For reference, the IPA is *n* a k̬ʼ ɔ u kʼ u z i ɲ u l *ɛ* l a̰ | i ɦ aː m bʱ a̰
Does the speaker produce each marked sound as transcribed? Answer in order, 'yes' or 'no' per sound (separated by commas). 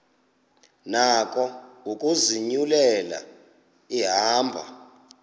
yes, yes